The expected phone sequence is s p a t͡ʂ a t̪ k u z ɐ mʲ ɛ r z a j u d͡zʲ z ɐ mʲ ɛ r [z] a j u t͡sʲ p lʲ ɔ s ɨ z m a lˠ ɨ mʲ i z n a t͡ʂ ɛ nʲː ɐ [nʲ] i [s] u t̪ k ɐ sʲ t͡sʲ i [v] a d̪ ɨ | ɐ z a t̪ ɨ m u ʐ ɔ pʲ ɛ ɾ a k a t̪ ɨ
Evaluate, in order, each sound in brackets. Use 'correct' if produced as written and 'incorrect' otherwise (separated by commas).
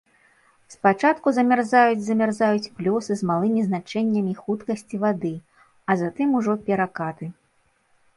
correct, incorrect, incorrect, correct